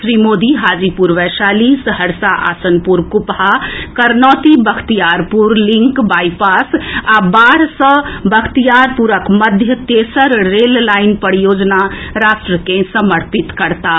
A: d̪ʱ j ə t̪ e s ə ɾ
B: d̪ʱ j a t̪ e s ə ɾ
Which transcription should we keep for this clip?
A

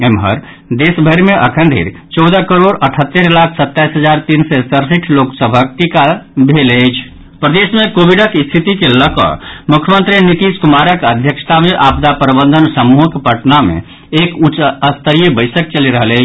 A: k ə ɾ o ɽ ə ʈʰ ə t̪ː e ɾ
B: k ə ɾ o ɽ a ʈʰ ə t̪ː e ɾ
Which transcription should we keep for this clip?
A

